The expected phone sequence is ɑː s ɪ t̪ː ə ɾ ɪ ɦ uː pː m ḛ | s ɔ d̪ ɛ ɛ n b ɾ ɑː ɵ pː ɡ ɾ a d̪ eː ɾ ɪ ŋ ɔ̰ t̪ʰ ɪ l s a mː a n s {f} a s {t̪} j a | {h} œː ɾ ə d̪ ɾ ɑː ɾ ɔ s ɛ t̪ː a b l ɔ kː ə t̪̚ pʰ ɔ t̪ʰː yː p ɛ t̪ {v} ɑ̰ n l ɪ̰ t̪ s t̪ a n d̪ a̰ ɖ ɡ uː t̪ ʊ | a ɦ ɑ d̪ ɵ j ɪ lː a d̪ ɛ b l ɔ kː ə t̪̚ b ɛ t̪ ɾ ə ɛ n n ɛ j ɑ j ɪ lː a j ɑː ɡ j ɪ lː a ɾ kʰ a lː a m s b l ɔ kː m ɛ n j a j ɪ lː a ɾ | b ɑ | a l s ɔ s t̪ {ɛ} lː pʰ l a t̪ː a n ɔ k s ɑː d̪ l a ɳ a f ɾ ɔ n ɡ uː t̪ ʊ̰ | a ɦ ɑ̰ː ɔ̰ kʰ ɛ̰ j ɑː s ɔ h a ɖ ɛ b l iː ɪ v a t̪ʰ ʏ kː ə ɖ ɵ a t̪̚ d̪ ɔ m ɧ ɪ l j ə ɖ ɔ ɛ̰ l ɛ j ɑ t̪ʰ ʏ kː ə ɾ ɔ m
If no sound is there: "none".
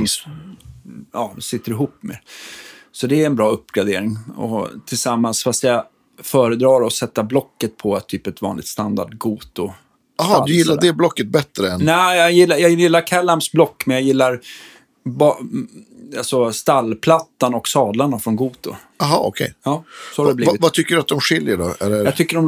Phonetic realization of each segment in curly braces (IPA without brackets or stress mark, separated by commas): f, t̪, f, v, a